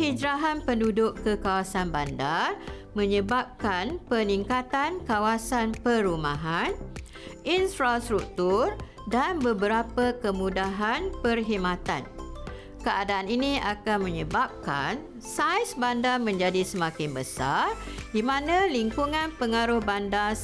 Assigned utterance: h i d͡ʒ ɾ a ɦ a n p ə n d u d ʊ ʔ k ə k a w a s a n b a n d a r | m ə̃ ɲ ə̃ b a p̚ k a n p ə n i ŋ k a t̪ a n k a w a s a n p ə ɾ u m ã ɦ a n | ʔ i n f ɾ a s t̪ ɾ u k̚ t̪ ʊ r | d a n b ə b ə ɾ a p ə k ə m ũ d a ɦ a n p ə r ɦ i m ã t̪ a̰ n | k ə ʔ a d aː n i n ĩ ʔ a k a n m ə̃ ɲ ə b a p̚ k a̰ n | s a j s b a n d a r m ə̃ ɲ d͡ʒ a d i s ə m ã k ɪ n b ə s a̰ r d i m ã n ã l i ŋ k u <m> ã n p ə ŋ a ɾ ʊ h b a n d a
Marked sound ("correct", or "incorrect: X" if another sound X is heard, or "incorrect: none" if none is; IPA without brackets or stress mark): incorrect: ŋ